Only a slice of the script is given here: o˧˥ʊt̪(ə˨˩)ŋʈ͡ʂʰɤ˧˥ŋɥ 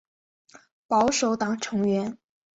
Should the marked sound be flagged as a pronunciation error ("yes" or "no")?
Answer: yes